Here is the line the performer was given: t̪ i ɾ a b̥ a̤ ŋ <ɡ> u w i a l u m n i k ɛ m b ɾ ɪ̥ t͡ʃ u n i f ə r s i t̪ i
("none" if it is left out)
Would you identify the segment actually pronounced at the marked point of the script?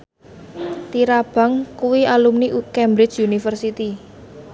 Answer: k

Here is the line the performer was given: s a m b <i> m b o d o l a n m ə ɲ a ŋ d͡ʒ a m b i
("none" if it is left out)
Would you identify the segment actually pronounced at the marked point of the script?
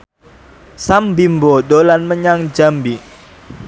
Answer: i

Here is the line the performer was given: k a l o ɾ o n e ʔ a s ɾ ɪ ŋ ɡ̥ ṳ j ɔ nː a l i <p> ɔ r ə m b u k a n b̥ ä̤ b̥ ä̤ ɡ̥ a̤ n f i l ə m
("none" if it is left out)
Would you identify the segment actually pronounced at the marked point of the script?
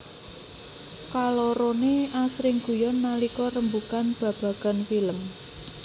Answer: k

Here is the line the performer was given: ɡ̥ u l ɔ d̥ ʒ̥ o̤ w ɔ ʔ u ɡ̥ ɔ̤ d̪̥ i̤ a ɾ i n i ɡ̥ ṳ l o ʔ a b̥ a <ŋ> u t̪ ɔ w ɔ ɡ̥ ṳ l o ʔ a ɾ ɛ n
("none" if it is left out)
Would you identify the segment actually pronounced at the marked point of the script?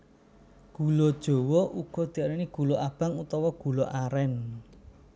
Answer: ŋ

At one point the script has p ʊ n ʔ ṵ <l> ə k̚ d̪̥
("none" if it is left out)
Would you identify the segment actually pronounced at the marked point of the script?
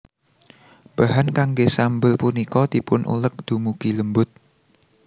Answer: l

